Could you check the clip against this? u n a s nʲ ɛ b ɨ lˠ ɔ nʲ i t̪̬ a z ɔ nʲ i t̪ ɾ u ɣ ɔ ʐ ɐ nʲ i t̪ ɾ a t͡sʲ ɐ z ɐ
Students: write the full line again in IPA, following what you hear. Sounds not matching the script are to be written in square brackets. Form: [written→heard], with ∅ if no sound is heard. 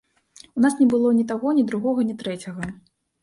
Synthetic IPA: u n a s nʲ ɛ b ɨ lˠ ɔ nʲ i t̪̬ a [z→ɣ] ɔ nʲ i [t̪→d̪] ɾ u ɣ ɔ [ʐ→ɣ] ɐ nʲ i t̪ ɾ [a→ɛ] t͡sʲ ɐ [z→ɣ] ɐ